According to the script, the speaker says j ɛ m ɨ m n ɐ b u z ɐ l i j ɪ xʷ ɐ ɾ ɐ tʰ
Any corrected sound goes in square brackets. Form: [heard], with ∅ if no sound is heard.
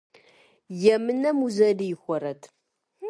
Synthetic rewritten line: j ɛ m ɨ [∅] n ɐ [m] u z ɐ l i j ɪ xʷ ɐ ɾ ɐ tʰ